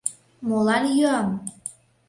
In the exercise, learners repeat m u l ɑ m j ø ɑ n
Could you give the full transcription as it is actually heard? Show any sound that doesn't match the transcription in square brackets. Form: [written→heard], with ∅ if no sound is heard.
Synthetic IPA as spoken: m [u→o] l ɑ [m→n] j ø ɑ [n→m]